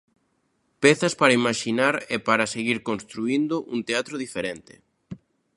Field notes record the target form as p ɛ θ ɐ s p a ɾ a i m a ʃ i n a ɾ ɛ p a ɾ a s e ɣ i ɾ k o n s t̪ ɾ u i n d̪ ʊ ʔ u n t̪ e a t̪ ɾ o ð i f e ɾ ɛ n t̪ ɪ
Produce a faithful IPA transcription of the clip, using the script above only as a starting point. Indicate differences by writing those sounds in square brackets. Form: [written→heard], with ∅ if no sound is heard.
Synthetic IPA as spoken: p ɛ θ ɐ s p a ɾ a i m a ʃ i n a ɾ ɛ p a ɾ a s e ɣ i ɾ k o n s t̪ ɾ u i n d̪ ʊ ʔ u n t̪ e a t̪ ɾ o ð i f e ɾ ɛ n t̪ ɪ